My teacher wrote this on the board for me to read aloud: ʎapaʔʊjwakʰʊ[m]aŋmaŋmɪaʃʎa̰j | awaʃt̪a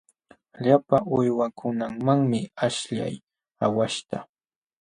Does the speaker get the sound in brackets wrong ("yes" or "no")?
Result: yes